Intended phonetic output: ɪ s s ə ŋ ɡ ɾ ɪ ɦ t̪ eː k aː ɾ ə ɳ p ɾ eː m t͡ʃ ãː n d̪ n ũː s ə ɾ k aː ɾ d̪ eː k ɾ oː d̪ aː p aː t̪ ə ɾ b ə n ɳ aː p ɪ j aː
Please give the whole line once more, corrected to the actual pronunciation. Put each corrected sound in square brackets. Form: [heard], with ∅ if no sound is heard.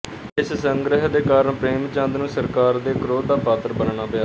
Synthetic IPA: ɪ s s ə ŋ ɡ ɾ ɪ ɦ [d̪] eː k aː ɾ ə ɳ p ɾ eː m t͡ʃ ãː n d̪ n ũː s ə ɾ k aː ɾ d̪ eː k ɾ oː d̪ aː p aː t̪ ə ɾ b ə n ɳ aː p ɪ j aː